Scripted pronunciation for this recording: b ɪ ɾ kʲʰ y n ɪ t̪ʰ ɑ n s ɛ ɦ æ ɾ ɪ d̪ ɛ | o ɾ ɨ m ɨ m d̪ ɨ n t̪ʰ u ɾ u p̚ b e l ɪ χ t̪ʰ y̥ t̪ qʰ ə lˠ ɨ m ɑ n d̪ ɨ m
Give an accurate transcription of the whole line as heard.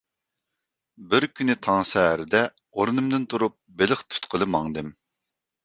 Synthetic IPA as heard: b ɪ ɾ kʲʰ y n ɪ t̪ʰ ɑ ŋ s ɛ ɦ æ ɾ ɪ d̪ ɛ | o ɾ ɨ n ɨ m d̪ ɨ n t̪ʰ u ɾ u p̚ b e l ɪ χ t̪ʰ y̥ t̪ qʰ ə lˠ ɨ m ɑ ŋ d̪ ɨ m